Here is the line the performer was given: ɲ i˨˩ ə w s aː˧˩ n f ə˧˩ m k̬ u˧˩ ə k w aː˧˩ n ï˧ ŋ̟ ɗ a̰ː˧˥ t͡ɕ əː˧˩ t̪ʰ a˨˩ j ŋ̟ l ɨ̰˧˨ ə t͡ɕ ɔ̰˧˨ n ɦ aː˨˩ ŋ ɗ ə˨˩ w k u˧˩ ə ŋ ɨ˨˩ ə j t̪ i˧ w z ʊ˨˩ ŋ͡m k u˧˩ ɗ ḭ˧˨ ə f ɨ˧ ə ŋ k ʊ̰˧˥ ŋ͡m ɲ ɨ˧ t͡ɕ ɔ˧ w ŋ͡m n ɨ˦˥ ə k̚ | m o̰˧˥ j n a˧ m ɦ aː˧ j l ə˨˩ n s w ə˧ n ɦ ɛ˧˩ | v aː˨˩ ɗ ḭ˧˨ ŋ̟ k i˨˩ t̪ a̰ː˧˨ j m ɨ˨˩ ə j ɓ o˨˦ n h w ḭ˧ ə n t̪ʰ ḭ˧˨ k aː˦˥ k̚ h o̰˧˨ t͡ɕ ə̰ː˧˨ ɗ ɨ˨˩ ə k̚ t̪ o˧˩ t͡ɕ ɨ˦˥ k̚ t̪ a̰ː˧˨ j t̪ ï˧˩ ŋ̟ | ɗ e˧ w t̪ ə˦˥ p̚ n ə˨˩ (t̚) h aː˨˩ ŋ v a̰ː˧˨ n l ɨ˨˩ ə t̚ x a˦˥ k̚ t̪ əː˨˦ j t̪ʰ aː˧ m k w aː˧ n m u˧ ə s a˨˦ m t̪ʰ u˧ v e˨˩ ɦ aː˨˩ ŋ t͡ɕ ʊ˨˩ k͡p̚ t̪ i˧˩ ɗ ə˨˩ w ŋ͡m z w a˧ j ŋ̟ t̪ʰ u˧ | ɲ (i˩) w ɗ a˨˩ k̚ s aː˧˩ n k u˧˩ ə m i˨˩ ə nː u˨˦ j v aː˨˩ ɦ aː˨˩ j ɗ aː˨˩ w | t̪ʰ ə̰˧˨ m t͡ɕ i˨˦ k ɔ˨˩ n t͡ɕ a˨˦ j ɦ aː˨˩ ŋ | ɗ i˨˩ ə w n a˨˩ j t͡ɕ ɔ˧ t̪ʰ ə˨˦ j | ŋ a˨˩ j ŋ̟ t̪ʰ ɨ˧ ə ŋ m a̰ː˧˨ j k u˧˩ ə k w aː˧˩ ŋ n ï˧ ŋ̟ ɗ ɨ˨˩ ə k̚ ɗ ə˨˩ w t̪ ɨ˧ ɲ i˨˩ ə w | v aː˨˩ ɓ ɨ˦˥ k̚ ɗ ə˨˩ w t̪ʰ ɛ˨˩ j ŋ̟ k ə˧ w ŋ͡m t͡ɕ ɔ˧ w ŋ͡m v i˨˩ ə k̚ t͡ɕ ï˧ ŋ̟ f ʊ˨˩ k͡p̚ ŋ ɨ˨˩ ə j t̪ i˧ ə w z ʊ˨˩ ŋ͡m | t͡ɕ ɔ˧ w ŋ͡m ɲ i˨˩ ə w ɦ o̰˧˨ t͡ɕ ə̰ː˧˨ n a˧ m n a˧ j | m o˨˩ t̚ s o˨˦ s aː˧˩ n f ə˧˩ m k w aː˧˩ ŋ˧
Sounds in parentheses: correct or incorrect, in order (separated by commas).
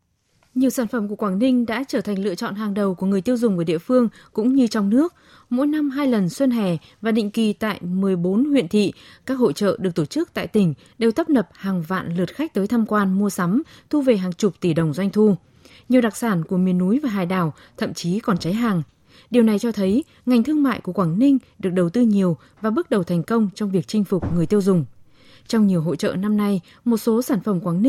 incorrect, correct